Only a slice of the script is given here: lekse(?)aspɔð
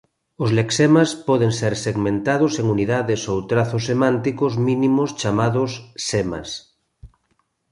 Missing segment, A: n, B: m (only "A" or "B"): B